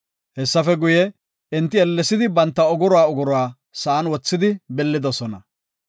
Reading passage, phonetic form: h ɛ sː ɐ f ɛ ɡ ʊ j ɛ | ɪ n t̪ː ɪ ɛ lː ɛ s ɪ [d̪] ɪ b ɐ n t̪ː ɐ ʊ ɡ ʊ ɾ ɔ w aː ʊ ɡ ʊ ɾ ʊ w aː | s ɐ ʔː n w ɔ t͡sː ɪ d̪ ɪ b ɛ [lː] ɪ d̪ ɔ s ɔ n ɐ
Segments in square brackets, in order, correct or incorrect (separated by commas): correct, correct